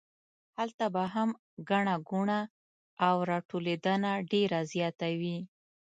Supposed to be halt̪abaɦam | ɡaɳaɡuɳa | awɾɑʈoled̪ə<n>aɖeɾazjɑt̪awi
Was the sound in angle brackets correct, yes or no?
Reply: yes